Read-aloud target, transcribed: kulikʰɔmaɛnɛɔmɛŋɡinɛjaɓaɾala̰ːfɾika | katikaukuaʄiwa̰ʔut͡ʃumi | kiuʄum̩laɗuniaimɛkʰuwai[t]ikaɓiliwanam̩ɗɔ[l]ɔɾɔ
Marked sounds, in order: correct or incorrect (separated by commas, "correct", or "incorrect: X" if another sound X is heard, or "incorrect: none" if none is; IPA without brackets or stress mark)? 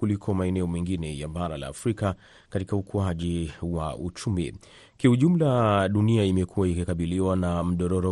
incorrect: k, incorrect: ɾ